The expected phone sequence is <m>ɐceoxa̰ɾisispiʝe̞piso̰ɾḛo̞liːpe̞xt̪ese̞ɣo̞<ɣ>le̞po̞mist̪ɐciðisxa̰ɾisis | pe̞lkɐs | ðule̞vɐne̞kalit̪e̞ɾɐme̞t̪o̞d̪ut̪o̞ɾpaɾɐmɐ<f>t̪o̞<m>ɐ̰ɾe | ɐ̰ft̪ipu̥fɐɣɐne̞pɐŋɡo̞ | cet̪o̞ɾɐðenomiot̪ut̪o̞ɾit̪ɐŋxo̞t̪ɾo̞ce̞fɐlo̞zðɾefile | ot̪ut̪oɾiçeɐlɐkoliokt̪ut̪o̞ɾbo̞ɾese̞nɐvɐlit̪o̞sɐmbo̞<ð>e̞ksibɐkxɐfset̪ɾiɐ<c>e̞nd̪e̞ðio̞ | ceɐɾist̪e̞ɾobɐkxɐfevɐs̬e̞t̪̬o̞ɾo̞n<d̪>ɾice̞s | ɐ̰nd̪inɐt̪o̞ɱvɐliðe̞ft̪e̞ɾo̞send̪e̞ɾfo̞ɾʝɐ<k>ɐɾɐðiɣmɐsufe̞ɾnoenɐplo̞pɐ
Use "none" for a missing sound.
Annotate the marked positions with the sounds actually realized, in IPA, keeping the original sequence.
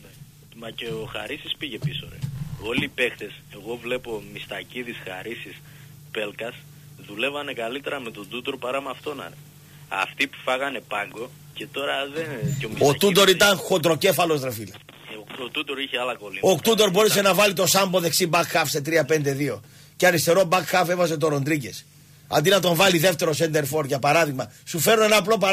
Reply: m, v, f, n, ð, p, d̪, p

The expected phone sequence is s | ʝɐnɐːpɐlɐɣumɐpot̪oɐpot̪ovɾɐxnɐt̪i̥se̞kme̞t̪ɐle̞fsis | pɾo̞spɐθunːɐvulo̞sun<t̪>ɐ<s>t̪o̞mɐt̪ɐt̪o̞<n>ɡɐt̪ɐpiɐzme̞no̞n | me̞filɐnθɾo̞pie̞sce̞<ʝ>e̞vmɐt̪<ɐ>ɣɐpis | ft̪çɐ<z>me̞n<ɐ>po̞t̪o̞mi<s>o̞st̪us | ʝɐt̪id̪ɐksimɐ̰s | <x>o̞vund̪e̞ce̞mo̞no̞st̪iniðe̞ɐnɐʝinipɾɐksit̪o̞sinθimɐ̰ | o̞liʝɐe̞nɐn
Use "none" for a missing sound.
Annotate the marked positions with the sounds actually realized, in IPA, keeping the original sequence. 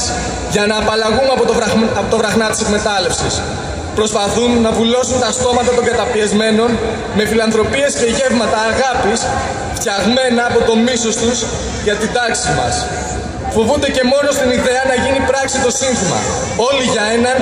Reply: t̪, s, ŋ, ʝ, ɐː, ɣ, ɐː, s, f

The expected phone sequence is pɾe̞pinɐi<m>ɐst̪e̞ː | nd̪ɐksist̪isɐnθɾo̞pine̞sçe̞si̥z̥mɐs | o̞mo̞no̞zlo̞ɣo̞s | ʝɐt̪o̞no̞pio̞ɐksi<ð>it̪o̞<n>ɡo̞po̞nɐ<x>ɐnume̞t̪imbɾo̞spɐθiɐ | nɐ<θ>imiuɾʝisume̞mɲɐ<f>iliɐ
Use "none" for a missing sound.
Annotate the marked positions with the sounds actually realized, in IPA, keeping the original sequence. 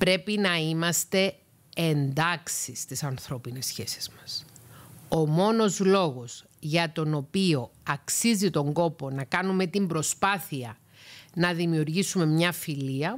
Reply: m, z, ŋ, k, ð, f

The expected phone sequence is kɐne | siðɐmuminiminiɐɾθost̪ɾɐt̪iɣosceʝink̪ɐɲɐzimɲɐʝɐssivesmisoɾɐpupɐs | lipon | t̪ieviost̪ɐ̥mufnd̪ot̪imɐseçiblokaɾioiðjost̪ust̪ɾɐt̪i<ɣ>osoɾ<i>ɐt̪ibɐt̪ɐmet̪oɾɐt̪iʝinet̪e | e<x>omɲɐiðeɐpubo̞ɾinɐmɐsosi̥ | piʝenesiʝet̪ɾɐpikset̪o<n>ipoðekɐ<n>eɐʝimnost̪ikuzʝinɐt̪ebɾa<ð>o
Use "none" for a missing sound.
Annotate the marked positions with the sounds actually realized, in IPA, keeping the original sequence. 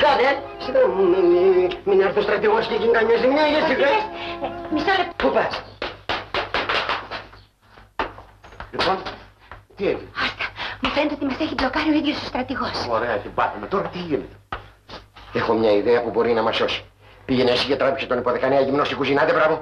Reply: ɣ, e, x, n, n, v

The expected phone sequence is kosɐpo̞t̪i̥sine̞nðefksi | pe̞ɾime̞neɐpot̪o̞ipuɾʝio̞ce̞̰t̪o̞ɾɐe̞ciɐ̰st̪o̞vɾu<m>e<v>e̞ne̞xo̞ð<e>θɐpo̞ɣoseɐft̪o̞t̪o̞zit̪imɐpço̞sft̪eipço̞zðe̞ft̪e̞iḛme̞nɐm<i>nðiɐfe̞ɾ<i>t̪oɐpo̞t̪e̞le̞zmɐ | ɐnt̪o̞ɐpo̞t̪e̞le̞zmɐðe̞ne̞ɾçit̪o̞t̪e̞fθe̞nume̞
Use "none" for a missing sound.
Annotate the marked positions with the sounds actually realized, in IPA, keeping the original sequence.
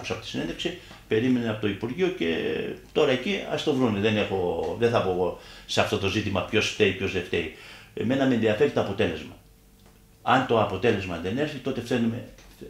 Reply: n, ð, e, e, i

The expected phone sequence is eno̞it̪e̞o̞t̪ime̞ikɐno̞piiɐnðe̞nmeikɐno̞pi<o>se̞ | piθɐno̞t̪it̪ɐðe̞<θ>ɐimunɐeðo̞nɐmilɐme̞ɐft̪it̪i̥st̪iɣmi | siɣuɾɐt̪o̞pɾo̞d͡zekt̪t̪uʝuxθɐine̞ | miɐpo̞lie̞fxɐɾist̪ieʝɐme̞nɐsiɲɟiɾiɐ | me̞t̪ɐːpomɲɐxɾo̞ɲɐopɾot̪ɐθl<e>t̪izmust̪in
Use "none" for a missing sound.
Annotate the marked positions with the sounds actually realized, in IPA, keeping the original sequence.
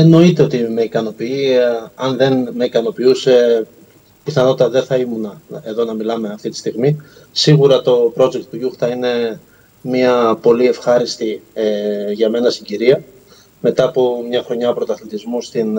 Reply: u, θ, i

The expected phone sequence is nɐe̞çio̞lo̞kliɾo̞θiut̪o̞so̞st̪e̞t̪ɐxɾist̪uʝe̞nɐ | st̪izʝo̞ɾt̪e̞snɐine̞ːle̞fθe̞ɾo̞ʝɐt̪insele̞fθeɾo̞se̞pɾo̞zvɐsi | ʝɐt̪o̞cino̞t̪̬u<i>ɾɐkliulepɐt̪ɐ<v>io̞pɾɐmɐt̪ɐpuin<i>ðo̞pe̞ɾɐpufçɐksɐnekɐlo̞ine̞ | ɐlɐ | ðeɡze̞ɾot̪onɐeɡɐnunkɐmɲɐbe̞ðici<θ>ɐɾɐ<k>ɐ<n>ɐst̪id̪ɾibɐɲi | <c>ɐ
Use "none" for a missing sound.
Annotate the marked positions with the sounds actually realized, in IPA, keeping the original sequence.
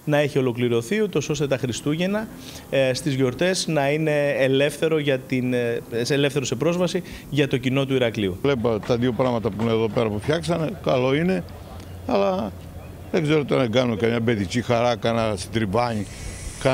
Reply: i, ð, e, x, k, n, k

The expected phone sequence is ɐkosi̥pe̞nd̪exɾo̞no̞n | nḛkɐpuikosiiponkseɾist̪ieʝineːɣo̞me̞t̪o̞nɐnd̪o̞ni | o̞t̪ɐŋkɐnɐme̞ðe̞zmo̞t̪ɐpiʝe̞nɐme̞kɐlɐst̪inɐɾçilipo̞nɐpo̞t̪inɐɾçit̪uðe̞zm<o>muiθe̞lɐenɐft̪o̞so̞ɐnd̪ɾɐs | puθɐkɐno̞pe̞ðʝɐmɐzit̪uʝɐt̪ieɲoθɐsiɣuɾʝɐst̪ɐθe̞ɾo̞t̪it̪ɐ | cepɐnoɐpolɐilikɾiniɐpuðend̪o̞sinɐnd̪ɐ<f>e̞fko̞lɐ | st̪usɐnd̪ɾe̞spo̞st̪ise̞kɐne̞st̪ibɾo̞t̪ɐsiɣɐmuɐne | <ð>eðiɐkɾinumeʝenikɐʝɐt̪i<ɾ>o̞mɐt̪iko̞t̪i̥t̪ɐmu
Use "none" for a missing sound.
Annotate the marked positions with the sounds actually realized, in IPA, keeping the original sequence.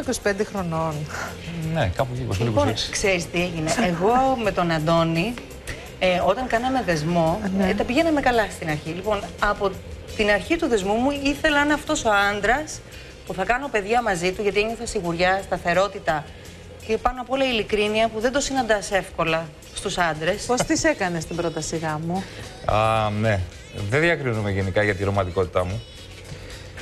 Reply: u, s, ð, ɾ

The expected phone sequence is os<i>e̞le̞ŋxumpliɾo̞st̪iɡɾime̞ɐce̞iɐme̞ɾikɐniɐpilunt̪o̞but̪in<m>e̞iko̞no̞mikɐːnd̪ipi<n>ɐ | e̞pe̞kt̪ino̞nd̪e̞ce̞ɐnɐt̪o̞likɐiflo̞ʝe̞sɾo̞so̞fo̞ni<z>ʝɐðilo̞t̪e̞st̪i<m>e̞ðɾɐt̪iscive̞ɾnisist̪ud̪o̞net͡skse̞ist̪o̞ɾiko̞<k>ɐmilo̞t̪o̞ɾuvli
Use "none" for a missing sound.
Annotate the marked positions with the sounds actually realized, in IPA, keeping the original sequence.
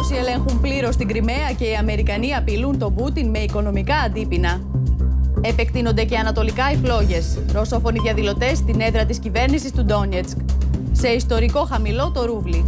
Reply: i, m, n, ð, n, x

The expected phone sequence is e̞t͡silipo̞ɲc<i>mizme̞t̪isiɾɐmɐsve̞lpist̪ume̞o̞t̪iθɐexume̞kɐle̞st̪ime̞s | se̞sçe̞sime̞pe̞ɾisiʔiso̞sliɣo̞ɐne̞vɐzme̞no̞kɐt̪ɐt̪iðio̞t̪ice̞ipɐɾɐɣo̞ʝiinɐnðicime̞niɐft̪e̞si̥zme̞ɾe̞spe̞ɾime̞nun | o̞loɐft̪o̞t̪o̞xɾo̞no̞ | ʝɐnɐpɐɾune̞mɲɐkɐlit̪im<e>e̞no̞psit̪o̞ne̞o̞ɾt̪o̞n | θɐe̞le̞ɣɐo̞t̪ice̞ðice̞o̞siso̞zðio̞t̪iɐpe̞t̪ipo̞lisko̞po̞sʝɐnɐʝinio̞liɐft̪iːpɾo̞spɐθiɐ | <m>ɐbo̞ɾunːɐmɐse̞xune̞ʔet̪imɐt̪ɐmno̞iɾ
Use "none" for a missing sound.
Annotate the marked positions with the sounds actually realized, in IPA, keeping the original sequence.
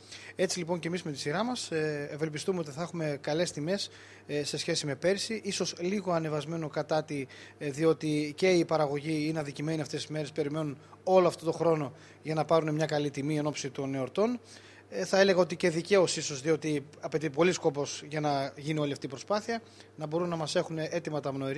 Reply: e, i, n

